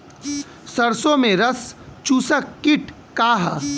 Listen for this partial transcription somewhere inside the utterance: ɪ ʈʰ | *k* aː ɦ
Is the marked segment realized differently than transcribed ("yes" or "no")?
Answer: no